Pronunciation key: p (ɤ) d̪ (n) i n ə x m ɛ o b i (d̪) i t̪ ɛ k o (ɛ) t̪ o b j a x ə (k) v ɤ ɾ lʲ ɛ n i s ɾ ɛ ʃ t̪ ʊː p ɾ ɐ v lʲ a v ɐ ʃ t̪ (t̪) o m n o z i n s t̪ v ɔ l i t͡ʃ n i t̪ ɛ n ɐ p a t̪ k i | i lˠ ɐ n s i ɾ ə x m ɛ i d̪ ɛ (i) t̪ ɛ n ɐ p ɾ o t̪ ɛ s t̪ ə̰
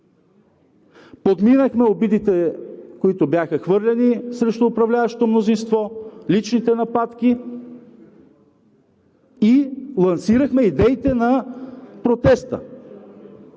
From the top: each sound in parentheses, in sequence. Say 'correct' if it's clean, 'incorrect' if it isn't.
incorrect: o, incorrect: m, correct, incorrect: i, incorrect: x, correct, correct

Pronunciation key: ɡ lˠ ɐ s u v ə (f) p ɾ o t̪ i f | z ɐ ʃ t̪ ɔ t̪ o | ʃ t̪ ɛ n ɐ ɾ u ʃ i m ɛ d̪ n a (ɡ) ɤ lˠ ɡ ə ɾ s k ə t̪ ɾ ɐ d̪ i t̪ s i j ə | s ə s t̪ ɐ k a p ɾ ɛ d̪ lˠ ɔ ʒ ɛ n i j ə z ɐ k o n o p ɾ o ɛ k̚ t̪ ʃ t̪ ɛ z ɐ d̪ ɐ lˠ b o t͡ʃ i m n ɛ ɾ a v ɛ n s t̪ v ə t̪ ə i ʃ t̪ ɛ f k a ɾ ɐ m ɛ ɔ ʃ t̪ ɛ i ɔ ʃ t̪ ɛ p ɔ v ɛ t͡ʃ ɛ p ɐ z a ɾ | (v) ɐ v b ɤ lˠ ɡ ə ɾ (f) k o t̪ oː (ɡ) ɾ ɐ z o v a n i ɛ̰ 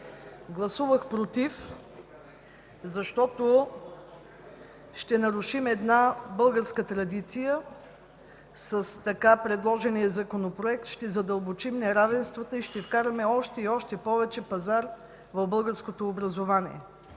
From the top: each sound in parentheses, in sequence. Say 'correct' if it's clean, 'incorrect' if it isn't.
incorrect: x, incorrect: b, correct, incorrect: s, incorrect: b

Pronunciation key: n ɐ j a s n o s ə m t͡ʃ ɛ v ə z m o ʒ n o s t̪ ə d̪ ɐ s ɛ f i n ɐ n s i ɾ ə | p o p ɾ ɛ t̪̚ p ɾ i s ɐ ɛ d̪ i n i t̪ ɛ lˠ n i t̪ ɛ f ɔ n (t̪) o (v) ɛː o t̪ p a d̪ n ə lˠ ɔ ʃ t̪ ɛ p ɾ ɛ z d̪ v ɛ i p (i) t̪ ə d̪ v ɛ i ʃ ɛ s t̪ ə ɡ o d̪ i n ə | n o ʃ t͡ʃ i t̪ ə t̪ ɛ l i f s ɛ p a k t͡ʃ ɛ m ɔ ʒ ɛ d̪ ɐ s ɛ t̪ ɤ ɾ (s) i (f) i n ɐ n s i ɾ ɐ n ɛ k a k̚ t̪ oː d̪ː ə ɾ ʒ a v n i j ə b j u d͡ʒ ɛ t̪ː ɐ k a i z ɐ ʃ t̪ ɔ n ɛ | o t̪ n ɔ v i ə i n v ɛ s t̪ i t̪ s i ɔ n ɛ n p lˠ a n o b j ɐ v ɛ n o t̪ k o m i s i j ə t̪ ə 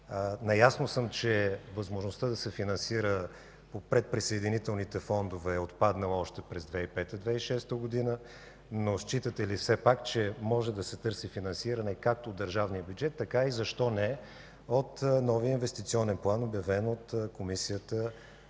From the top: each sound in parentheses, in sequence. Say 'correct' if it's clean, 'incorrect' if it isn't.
incorrect: d̪, correct, incorrect: ɛ, correct, correct

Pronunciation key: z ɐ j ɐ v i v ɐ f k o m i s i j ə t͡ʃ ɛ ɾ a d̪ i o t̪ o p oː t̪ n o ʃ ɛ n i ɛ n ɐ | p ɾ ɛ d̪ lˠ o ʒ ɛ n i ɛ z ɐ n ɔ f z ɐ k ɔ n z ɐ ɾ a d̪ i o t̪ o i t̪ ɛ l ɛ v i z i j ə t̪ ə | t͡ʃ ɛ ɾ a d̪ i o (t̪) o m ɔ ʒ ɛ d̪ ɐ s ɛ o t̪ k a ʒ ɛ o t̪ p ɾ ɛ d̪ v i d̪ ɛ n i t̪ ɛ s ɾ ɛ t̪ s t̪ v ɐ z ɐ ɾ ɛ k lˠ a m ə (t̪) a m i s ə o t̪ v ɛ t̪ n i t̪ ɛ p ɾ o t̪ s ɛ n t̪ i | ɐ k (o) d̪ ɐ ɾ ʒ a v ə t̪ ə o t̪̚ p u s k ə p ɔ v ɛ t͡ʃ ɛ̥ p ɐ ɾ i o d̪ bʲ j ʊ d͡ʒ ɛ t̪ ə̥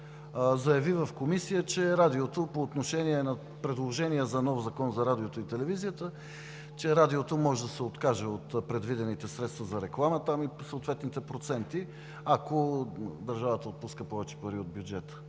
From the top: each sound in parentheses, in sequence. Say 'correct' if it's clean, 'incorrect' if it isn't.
correct, correct, correct

